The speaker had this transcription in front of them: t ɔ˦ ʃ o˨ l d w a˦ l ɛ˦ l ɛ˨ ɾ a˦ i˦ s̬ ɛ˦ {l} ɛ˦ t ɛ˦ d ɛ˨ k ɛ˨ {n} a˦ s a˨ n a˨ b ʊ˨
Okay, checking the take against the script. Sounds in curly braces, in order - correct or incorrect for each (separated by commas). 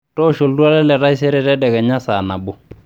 incorrect, incorrect